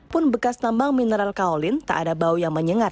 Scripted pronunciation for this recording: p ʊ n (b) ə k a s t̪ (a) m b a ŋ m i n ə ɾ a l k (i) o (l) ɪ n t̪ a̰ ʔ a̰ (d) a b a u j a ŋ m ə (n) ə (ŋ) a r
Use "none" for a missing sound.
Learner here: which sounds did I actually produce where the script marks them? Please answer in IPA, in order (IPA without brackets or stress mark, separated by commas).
b, a, a, l, d, ɲ, ŋ